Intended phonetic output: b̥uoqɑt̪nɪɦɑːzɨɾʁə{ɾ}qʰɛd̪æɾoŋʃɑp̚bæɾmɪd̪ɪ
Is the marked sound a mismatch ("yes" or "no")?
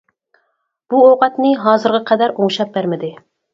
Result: yes